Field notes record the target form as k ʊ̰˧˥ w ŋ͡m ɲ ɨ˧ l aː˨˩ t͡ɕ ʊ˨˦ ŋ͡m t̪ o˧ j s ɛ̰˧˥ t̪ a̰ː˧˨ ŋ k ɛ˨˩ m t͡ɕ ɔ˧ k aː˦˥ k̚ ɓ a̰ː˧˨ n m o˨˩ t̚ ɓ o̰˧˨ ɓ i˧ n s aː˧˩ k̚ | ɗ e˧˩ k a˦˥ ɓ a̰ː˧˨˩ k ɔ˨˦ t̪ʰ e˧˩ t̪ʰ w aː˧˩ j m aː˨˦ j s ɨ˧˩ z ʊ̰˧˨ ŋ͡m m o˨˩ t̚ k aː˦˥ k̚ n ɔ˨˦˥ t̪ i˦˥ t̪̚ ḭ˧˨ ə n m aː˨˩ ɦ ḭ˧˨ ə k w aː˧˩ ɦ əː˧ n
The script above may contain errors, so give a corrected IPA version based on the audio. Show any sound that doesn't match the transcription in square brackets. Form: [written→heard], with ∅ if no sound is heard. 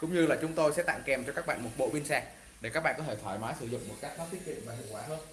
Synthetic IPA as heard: k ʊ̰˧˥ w ŋ͡m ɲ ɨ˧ l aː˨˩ t͡ɕ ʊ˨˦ ŋ͡m t̪ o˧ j s ɛ̰˧˥ t̪ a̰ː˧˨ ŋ k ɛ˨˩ m t͡ɕ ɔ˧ k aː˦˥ k̚ ɓ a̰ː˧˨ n m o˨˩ t̚ ɓ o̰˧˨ ɓ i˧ n s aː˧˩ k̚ | ɗ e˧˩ k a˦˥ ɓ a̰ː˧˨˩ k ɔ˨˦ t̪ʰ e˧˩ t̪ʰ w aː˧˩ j m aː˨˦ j s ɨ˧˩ z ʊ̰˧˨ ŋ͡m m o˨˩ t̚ k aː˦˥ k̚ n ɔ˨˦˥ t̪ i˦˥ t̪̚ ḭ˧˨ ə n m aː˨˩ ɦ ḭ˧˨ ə k w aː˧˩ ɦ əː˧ n